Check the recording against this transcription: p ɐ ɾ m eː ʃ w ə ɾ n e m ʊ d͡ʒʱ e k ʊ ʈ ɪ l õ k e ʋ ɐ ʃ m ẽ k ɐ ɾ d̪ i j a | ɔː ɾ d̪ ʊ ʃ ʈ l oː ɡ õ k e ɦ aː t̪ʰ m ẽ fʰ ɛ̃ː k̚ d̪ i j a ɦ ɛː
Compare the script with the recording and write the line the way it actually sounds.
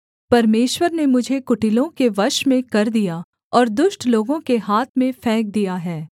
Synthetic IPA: p ɐ ɾ m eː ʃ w ə ɾ n e m ʊ d͡ʒʱ e k ʊ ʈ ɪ l õ k e ʋ ɐ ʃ m ẽ k ɐ ɾ d̪ i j a | ɔː ɾ d̪ ʊ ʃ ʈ l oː ɡ õ k e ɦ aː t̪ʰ m ẽ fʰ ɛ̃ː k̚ d̪ i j a ɦ ɛː